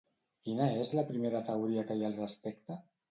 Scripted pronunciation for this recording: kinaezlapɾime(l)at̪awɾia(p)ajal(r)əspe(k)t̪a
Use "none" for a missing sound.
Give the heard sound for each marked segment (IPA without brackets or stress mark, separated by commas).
ɾ, k, r, k